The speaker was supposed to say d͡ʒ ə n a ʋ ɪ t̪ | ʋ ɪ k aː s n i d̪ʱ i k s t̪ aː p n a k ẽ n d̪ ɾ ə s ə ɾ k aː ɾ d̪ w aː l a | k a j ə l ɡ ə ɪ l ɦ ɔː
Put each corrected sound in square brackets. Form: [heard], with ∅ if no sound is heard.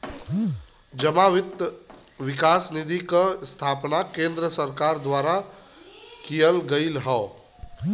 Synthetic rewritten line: d͡ʒ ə [m] a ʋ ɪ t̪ | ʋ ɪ k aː s n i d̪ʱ i k s [t̪ʰ] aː p n a k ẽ n d̪ ɾ ə s ə ɾ k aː ɾ d̪ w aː [ɾ] a | k [i] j ə l ɡ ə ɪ l ɦ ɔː